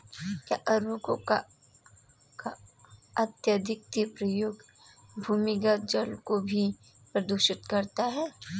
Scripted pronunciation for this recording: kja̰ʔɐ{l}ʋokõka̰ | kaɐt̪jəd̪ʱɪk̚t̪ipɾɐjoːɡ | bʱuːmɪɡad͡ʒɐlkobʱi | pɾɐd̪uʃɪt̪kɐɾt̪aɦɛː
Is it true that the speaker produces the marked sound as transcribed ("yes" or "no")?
no